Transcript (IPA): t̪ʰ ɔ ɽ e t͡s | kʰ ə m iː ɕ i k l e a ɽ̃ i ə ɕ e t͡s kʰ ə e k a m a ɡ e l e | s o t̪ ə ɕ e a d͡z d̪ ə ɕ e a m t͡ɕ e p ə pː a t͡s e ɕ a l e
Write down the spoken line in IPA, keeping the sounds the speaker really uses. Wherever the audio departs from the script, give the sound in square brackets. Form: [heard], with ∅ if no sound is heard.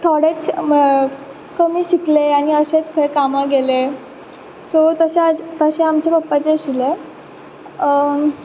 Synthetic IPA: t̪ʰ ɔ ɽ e t͡s | [k] ə m iː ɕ i k l e a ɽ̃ i ə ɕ e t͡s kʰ ə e k a m a ɡ e l e | s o t̪ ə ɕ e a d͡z [t̪] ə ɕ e a m t͡ɕ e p ə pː a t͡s e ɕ [i] l e